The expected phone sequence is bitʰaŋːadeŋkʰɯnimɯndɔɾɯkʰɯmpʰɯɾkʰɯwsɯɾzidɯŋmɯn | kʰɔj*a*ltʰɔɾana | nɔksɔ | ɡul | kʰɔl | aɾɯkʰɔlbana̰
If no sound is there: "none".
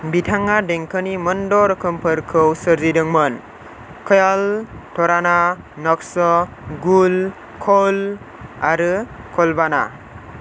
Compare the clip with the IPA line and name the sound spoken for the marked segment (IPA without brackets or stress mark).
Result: a